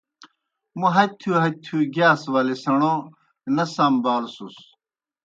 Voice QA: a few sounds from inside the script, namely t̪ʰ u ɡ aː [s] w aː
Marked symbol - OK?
yes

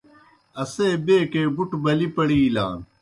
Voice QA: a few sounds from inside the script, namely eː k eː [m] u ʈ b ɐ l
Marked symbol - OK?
no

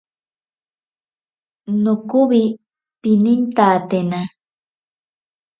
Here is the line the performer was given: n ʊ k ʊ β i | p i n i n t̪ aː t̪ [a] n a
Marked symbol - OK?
no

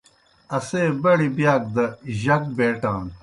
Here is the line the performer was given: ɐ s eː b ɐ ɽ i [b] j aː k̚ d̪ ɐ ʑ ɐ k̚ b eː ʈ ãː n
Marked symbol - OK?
yes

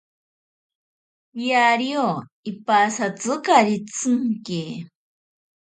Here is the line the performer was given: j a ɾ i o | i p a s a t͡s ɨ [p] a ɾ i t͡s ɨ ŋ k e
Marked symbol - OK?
no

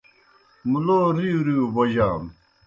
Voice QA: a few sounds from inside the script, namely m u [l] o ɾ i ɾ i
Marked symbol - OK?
yes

